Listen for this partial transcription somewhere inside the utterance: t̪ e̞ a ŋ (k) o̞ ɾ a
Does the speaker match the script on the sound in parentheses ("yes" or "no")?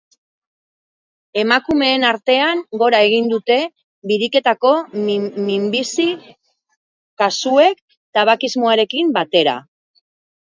no